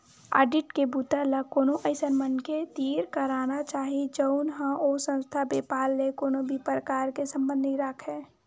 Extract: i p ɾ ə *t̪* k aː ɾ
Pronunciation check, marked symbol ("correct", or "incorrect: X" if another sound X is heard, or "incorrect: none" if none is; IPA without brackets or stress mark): incorrect: none